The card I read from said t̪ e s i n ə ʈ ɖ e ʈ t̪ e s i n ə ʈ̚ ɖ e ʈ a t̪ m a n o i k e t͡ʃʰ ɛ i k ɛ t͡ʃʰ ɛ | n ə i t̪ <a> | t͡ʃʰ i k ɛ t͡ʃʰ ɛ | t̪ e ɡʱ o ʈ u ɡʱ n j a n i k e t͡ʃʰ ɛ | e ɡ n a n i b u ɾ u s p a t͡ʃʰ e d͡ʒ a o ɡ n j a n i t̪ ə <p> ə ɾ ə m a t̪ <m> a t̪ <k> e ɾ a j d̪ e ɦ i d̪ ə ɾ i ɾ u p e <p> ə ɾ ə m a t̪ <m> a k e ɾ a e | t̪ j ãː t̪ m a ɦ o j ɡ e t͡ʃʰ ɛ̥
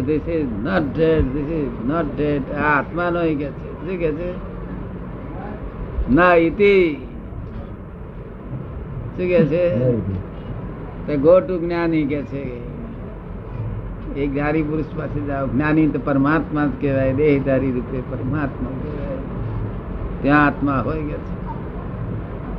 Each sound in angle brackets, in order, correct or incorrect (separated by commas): incorrect, correct, correct, correct, correct, correct